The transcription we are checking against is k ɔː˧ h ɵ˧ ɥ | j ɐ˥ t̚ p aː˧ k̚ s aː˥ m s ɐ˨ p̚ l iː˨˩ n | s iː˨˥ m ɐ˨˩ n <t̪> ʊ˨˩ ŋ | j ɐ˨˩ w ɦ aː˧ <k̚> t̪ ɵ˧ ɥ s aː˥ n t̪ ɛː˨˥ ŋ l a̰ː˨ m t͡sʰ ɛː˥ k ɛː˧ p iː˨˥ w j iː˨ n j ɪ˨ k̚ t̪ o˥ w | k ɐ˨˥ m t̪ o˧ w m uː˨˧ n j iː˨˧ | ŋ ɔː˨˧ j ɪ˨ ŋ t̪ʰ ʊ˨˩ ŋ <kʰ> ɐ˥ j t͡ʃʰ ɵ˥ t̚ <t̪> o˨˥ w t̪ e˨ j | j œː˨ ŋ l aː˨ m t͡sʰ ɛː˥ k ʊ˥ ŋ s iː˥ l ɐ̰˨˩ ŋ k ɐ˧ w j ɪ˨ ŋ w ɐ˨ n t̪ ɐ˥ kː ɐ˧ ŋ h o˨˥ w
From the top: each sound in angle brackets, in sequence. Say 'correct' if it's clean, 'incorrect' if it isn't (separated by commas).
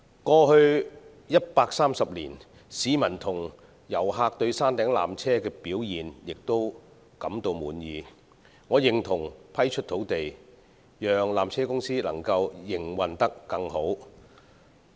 incorrect, correct, incorrect, incorrect